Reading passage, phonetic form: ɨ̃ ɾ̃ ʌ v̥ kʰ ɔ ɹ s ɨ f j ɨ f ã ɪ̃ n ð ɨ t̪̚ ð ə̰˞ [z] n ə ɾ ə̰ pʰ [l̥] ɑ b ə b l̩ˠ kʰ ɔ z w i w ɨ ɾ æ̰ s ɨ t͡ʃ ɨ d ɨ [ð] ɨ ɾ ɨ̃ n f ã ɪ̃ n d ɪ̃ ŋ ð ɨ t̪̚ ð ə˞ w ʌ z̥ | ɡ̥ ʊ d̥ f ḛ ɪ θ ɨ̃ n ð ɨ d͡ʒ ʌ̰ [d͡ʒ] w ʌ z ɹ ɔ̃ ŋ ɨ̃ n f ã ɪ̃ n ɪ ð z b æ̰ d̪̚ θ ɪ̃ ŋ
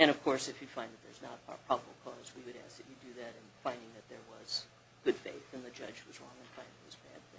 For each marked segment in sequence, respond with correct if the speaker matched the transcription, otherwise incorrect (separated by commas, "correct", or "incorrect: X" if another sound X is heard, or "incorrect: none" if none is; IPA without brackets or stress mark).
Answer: correct, incorrect: ɹ̥, correct, correct